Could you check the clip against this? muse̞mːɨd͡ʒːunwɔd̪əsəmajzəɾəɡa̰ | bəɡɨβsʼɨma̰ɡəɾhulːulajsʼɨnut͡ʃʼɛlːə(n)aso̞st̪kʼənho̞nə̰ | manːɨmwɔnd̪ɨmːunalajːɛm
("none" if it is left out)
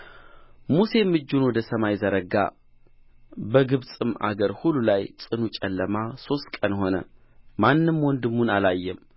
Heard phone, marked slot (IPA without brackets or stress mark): m